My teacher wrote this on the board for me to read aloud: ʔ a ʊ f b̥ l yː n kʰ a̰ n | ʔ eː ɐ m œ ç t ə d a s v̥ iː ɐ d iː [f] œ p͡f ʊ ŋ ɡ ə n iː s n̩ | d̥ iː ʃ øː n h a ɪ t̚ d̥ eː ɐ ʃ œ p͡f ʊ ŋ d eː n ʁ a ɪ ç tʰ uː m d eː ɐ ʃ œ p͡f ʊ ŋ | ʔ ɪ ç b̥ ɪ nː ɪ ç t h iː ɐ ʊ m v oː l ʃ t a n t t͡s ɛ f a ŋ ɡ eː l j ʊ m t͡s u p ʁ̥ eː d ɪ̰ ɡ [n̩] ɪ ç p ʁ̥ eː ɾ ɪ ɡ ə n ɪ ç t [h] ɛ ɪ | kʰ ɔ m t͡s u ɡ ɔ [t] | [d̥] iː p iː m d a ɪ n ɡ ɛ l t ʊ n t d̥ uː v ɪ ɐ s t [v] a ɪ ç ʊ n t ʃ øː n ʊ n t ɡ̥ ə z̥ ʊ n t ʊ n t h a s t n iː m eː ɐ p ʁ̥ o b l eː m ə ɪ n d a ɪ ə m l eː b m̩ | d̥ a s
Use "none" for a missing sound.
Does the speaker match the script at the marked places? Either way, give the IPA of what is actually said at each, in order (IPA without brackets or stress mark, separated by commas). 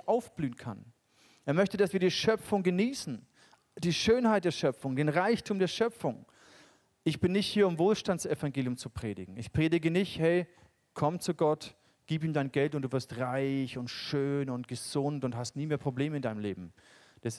ʃ, ŋ̩, h, t, ɡ̥, ʁ